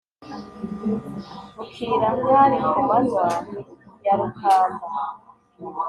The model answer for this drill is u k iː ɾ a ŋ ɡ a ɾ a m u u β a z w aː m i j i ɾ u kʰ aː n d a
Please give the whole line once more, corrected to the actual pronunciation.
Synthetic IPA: u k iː ɾ a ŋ ɡ a ɾ i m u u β a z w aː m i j a ɾ u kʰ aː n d a